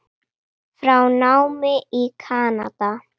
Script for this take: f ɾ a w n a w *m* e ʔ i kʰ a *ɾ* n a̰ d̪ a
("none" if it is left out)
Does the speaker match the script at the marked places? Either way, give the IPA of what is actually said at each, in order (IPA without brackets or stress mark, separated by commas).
m, none